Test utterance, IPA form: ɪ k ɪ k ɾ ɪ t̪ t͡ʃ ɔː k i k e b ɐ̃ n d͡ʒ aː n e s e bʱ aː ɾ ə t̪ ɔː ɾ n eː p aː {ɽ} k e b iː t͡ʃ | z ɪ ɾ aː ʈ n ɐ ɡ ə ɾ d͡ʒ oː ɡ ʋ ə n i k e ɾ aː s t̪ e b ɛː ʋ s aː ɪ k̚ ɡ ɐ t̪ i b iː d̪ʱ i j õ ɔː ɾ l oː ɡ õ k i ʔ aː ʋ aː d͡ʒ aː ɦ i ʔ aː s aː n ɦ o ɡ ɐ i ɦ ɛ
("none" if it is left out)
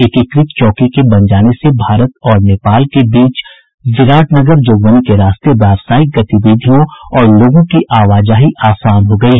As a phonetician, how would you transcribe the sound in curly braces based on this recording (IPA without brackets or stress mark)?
l